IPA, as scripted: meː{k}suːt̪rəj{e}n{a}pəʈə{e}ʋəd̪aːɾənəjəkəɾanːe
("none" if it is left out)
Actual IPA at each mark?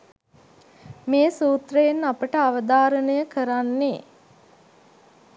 none, e, a, a

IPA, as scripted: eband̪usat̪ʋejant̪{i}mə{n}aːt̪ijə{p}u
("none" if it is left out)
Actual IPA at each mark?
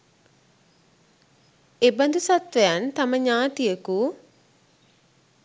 a, ɲ, k

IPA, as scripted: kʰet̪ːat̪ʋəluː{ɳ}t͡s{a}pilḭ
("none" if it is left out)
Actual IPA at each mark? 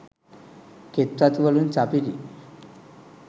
n, a

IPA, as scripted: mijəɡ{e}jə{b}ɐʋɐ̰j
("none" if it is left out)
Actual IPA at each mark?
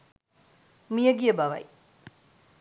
i, b

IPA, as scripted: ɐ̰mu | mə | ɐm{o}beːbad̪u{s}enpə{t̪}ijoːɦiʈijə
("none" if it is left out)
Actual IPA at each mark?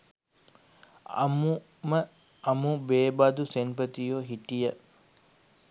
u, s, t̪

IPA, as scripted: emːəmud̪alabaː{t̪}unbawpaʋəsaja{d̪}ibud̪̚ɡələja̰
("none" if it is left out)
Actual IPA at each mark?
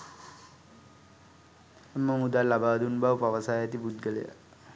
d̪, t̪

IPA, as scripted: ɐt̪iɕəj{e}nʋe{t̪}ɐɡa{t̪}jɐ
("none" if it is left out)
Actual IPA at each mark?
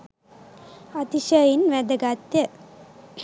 i, d̪, t̪

